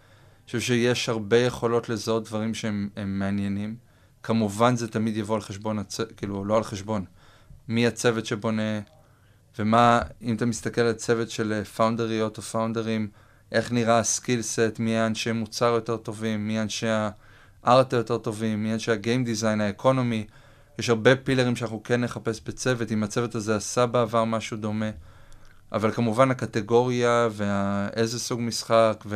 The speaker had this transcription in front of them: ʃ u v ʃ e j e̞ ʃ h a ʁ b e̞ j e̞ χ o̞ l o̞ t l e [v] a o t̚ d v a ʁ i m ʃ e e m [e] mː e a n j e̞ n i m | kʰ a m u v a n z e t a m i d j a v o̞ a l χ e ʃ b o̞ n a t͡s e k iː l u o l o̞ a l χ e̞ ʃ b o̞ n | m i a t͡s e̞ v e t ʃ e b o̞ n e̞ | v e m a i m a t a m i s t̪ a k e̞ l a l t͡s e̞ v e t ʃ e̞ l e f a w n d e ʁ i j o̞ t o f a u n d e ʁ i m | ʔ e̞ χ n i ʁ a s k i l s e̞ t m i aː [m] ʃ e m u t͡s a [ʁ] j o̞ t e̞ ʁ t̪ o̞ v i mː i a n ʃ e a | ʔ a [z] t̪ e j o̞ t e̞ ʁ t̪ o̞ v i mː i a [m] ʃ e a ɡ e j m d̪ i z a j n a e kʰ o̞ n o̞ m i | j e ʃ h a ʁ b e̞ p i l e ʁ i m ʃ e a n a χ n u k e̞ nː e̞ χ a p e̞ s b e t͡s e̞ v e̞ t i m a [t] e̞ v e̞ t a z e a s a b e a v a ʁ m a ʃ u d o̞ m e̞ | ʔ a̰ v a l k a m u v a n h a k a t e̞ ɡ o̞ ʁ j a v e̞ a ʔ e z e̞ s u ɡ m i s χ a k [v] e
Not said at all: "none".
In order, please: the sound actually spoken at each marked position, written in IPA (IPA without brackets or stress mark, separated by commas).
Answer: z, e, n, ʁ, ʁ, n, t͡s, v